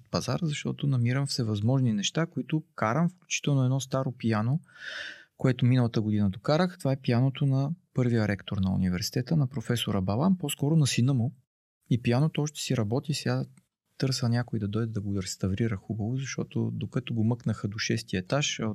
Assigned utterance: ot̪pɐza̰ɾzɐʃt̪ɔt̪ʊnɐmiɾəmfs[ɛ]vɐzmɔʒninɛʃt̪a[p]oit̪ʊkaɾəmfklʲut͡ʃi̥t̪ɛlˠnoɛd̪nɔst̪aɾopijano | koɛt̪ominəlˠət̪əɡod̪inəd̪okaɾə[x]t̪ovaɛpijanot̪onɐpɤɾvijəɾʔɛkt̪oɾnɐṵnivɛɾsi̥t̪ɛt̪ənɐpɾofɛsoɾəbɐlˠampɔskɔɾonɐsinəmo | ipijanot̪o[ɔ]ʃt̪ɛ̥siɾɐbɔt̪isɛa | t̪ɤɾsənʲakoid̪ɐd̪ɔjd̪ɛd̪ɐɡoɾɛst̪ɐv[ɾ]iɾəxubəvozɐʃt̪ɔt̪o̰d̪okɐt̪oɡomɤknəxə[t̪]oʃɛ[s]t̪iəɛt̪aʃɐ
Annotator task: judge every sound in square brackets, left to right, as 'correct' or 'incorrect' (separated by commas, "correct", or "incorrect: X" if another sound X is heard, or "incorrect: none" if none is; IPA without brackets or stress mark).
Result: correct, incorrect: k, correct, correct, correct, incorrect: d̪, correct